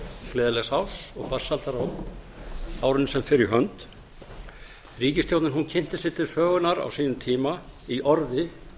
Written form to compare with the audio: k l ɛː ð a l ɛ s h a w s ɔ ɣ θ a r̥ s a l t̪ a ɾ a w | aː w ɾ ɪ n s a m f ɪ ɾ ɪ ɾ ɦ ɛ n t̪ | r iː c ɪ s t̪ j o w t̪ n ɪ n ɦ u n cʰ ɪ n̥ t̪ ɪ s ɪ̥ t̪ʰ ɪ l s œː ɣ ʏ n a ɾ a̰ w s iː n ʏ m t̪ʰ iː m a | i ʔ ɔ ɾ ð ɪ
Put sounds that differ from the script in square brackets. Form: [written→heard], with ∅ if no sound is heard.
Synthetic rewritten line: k l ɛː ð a l ɛ s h a w s ɔ ɣ [θ→f] a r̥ s a l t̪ a ɾ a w | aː w ɾ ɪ n s [a→ɛ] m f ɪ ɾ ɪ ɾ ɦ [ɛ→œ] n t̪ | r iː c ɪ s t̪ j o w t̪ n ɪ n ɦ u n cʰ ɪ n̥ t̪ ɪ s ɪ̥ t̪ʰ ɪ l s œː ɣ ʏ n a ɾ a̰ w s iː n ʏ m t̪ʰ iː m a | i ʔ ɔ ɾ ð ɪ

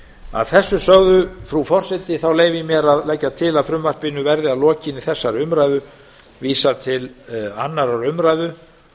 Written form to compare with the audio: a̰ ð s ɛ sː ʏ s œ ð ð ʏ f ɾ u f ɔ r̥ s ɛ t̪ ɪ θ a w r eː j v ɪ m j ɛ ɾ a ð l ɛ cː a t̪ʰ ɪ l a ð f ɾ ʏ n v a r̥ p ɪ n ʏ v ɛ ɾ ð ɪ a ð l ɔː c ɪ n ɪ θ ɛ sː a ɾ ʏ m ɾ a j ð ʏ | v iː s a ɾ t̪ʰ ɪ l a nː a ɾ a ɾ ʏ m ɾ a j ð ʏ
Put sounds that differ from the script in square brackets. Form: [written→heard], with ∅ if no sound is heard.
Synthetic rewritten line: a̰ ð [s→θ] ɛ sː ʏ s œ [ð→ɣ] ð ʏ f ɾ u f ɔ r̥ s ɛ t̪ ɪ θ a w [r→l] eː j v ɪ m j ɛ ɾ a ð l ɛ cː a t̪ʰ ɪ l a ð f ɾ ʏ [n→m] v a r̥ p ɪ n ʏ v ɛ ɾ ð ɪ a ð l ɔː c ɪ n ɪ θ ɛ sː a ɾ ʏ m ɾ a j ð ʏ | v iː s a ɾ t̪ʰ ɪ l a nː a ɾ a ɾ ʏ m ɾ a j ð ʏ

